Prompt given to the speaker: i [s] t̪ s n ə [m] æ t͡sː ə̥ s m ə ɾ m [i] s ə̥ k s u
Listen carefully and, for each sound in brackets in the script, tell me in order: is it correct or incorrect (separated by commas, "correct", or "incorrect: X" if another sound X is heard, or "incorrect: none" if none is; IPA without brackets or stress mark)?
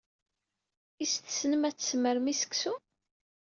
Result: correct, correct, correct